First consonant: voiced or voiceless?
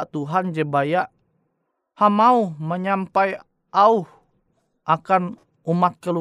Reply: voiceless